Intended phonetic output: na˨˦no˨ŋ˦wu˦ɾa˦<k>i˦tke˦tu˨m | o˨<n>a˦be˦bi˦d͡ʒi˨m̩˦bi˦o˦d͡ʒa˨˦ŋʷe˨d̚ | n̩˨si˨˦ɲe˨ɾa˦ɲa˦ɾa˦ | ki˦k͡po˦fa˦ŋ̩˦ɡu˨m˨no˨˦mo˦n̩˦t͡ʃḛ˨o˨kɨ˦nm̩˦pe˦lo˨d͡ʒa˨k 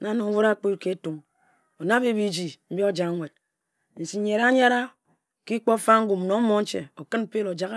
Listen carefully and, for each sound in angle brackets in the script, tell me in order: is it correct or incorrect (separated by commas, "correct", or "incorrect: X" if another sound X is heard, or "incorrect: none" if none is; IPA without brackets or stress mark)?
incorrect: k͡p, correct